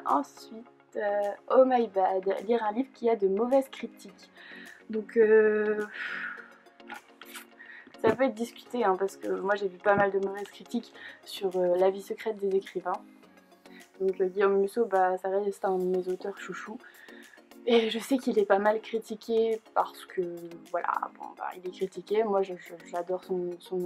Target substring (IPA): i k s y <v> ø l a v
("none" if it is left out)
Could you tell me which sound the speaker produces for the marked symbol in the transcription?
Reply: ʁ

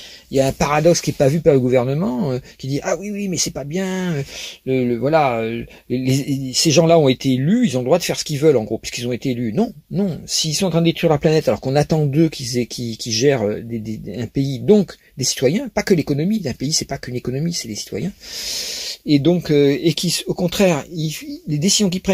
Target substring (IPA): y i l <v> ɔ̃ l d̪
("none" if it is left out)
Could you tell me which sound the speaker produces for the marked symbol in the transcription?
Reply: z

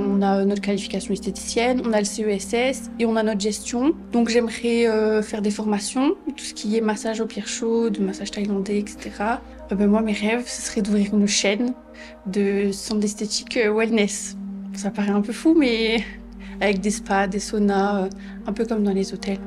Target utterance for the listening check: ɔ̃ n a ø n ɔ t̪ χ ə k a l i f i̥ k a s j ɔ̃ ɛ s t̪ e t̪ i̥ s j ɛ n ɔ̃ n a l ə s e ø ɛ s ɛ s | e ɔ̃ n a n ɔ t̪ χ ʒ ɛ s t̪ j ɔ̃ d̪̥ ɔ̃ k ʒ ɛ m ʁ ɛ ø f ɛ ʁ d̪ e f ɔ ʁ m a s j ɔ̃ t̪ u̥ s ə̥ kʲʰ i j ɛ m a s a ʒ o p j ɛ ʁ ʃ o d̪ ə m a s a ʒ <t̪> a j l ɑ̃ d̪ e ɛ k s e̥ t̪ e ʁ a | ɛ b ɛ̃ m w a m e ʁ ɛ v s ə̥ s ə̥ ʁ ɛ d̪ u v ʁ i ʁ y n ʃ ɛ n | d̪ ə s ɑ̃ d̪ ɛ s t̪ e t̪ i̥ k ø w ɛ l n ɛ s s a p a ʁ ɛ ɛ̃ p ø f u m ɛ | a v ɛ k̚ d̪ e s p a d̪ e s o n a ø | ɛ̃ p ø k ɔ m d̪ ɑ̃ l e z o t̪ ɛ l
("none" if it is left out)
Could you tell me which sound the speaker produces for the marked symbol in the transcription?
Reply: t̪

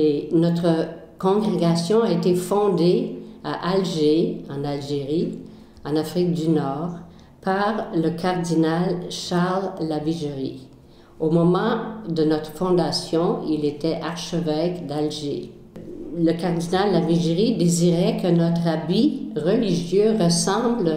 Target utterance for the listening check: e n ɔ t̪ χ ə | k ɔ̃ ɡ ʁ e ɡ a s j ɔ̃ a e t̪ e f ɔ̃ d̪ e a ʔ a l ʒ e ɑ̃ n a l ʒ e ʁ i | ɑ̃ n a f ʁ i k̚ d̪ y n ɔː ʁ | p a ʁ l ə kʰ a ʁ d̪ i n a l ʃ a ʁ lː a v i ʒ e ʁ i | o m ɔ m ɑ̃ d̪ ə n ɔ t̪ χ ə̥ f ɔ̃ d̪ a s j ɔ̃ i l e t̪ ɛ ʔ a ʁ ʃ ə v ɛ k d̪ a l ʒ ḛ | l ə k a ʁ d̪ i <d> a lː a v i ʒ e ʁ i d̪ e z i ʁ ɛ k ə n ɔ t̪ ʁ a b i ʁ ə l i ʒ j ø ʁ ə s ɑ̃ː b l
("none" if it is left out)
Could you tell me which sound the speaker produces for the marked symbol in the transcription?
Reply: n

